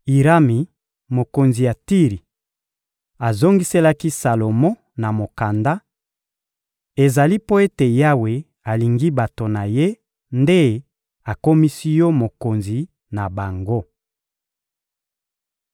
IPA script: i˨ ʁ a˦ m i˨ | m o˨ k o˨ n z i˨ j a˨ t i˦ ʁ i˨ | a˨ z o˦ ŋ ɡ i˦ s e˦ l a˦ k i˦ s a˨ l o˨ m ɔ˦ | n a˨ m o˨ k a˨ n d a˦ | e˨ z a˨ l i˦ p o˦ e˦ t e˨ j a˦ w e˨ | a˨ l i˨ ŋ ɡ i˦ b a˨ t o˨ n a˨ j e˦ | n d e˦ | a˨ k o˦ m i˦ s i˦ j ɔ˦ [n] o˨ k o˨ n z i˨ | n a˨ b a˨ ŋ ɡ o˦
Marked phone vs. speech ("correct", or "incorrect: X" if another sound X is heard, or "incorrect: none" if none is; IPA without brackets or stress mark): incorrect: m